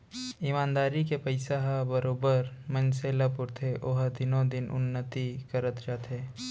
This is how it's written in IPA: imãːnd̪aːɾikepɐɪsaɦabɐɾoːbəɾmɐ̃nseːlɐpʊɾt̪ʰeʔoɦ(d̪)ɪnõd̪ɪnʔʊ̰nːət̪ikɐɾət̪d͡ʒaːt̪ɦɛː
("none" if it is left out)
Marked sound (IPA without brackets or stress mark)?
d̪